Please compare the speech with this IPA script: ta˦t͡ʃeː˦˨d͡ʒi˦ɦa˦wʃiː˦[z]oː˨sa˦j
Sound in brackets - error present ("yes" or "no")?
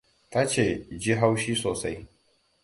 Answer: yes